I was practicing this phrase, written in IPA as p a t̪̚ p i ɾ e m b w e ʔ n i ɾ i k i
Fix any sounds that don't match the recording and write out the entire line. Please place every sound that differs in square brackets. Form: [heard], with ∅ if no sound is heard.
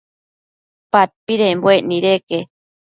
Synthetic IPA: p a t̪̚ p i ɾ e m b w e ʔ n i ɾ [e] k [e]